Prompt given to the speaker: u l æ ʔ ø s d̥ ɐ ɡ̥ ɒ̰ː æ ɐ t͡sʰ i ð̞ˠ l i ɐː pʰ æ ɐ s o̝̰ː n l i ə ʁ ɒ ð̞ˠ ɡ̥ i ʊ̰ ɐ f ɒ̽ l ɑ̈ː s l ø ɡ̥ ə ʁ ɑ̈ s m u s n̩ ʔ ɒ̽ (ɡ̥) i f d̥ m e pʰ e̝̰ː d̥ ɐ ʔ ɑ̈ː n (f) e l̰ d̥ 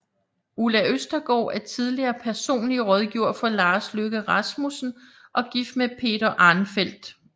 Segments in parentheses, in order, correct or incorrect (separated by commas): correct, correct